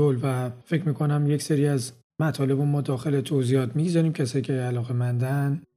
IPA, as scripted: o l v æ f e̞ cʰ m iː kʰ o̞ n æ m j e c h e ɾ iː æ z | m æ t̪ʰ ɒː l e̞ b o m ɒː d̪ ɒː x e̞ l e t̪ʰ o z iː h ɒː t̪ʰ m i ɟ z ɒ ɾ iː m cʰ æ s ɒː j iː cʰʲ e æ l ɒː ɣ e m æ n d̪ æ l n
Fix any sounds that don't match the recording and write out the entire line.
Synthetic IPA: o l v æ f e̞ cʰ m iː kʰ o̞ n æ m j e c s e ɾ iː æ z | m æ t̪ʰ ɒː l e̞ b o m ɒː d̪ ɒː x e̞ l e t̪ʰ o z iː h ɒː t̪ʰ m i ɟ z ɒ ɾ iː m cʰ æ s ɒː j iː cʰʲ e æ l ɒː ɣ e m æ n d̪ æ n